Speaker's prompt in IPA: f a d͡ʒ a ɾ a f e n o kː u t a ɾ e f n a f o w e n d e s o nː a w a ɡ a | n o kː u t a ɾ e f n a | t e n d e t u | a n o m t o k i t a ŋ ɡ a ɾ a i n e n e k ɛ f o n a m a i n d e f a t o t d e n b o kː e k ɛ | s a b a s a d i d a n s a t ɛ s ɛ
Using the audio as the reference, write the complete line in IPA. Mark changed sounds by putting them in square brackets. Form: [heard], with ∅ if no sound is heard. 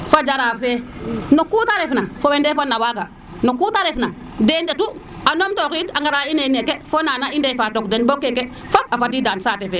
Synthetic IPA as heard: f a d͡ʒ a ɾ a f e n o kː u t a ɾ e f n a f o w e n d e [f] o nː a w a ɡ a | n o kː u t a ɾ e f n a | [d] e n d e t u | a n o m t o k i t a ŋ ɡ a ɾ a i n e n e k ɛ f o n a [n] a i n d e f a t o [k] d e n b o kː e k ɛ | [f] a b a [f] a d i d a n s a t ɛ [f] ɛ